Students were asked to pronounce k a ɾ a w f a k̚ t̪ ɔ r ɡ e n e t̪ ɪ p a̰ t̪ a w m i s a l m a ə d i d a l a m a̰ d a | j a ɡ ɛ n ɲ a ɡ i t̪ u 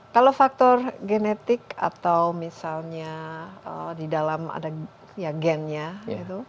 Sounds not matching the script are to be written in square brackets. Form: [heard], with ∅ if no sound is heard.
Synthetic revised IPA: k a [l] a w f a k̚ t̪ ɔ r ɡ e n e t̪ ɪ [k] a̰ t̪ a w m i s a l [ɲ] a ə d i d a l a m a̰ d a | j a ɡ ɛ n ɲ a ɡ i t̪ u

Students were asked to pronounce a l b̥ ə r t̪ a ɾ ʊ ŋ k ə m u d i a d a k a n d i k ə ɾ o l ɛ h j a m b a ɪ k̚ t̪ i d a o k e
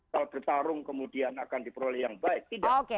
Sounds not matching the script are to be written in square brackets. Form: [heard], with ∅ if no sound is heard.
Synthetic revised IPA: a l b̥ ə r t̪ a ɾ ʊ ŋ k ə m u d i a [n] a k a n d i [p] ə ɾ o l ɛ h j a [ŋ] b a ɪ k̚ t̪ i d a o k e

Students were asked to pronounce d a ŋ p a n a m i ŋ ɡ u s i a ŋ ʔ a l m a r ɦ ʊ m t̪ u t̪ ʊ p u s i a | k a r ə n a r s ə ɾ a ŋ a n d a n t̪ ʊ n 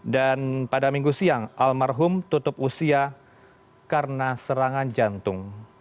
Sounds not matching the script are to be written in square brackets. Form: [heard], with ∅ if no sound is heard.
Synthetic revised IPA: d a [n] p a [d] a m i ŋ ɡ u s i a ŋ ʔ a l m a r ɦ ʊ m t̪ u t̪ ʊ p u s i a | k a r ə n a [∅] s ə ɾ a ŋ a n [d͡ʒ] a n t̪ ʊ [ŋ]

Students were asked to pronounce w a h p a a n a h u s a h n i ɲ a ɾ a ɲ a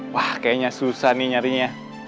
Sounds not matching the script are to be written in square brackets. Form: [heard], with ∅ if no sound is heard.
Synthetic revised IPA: w a h [k] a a [ɲ] a [s] u s a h n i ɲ a ɾ [i] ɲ a

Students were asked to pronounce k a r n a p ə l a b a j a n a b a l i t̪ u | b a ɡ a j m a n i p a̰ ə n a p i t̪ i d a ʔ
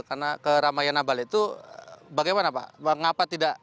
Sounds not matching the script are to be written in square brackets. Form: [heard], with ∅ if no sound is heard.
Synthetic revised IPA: k a r n a [k] ə [ɾ] a [m] a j a n a b a l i t̪ u | b a ɡ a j m a n [a] p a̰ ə [ŋ] a p [a] t̪ i d a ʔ

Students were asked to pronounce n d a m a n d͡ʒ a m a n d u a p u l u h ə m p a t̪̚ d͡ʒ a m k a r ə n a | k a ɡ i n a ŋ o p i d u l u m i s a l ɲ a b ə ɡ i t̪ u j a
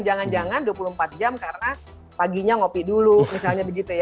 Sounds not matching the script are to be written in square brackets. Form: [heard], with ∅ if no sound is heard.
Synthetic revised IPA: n [d͡ʒ] a [ŋ] a n d͡ʒ a [ŋ] a n d u a p u l u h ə m p a t̪̚ d͡ʒ a m k a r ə n a | [p] a ɡ i [ɲ] a ŋ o p i d u l u m i s a l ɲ a b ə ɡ i t̪ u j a

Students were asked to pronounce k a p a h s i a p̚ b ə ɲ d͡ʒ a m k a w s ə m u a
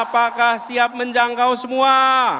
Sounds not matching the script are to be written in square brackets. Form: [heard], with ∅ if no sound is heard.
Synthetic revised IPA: [p] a [k] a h s i a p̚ [m] ə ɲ d͡ʒ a [ŋ] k a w s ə m u a

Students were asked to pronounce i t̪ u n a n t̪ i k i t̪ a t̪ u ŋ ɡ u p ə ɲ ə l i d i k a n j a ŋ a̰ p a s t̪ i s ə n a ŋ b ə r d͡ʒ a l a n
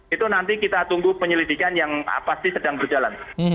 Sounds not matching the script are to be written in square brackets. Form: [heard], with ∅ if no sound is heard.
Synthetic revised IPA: i t̪ u n a n t̪ i k i t̪ a t̪ u ŋ ɡ u p ə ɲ ə l i d i k a n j a ŋ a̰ p a s t̪ i s ə [d] a ŋ b ə r d͡ʒ a l a n

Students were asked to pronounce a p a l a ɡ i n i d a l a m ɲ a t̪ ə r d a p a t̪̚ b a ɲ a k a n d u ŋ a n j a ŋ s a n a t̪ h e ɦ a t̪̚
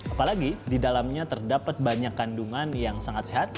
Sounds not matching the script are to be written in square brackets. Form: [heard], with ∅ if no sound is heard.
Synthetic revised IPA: a p a l a ɡ i [d] i d a l a m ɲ a t̪ ə r d a p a t̪̚ b a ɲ a k a n d u ŋ a n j a ŋ s a [ŋ] a t̪ [s] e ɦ a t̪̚

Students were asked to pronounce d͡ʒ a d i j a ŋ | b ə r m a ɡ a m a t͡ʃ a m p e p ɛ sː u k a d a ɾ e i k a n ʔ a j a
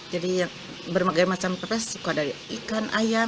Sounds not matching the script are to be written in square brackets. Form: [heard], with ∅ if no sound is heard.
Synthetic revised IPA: d͡ʒ a d i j a ŋ | b ə r m a ɡ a m a t͡ʃ a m p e p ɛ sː u k a d a ɾ [i] i k a n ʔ a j a

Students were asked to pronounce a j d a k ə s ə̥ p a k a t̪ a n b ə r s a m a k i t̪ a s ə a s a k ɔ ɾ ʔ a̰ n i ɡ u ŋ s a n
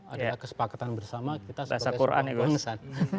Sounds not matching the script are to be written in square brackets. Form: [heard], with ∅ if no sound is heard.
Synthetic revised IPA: a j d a k ə s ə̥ p a k a t̪ a n b ə r s a m a k i t̪ a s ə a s a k [u] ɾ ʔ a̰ n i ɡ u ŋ s a n

